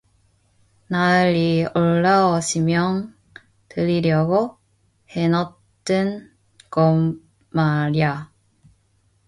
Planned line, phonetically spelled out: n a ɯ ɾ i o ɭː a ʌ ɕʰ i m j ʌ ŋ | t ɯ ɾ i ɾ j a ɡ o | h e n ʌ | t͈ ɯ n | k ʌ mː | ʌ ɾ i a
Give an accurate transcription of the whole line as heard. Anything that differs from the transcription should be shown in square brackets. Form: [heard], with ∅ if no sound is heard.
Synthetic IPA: n a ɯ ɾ i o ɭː a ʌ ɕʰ i m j ʌ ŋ | t ɯ ɾ i ɾ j [ʌ] ɡ o | h e n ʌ | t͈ ɯ n | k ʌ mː | [a] ɾ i a